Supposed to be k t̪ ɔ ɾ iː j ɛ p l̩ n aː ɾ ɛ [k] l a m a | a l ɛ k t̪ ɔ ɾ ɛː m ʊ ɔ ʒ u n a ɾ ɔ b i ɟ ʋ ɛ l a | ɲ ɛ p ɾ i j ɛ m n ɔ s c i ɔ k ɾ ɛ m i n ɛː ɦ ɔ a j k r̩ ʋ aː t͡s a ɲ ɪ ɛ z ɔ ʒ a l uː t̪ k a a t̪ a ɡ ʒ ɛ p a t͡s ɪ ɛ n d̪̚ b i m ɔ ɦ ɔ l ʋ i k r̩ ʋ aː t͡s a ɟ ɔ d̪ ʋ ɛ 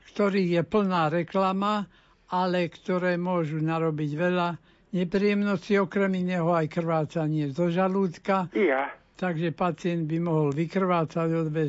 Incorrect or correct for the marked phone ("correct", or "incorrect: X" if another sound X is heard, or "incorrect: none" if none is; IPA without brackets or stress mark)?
correct